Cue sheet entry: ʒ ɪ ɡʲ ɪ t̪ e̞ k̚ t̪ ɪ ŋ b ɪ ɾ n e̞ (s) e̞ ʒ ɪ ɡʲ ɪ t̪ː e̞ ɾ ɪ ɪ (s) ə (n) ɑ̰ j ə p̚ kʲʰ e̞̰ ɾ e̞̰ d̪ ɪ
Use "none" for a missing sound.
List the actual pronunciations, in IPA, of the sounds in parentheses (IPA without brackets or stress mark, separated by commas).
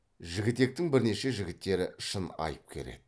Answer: ʃ, ʃ, n